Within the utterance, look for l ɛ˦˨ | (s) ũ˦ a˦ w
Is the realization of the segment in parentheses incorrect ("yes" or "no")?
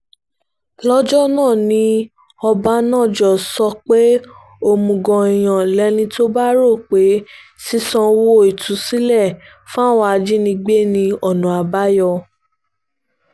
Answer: yes